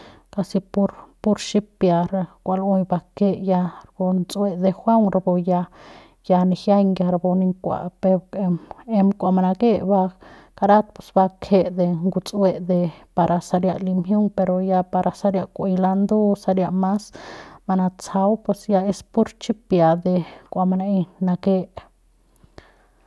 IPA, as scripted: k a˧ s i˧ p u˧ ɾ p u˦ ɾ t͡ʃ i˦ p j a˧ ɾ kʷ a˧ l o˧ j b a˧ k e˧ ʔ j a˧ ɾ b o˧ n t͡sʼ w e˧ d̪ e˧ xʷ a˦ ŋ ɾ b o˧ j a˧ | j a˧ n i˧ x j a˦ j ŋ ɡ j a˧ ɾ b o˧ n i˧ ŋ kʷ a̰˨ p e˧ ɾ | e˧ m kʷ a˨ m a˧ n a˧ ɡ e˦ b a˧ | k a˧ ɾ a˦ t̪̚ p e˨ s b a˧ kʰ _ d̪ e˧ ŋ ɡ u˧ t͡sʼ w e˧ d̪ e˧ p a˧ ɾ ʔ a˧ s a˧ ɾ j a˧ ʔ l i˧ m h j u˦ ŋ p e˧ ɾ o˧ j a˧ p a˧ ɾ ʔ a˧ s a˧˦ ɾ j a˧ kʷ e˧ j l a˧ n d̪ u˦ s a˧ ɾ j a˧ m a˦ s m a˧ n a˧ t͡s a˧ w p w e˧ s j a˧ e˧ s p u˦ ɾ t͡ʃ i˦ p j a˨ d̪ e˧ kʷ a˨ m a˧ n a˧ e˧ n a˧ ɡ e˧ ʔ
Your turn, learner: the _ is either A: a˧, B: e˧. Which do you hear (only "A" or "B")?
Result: B